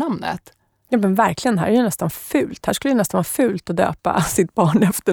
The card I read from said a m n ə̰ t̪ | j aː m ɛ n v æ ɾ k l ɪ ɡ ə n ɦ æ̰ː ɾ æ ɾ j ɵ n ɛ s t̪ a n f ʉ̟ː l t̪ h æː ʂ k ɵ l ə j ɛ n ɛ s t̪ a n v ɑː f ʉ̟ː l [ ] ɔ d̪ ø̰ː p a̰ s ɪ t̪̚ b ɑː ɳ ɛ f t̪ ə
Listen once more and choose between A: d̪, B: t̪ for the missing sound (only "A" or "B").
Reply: B